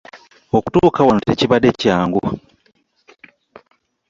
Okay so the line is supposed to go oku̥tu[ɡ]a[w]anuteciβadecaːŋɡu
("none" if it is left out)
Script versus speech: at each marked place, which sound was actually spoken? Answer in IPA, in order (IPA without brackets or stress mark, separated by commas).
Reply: k, w